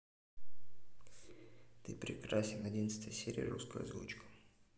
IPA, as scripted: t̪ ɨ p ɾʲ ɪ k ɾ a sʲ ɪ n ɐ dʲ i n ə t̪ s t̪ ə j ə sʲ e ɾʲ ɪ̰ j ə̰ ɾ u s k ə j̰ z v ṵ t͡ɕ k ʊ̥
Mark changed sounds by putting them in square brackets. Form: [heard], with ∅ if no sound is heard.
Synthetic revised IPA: t̪ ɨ p ɾʲ ɪ k ɾ a sʲ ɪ n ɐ dʲ i n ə t̪ s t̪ ə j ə sʲ e ɾʲ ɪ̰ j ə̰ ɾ u s k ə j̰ z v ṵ t͡ɕ k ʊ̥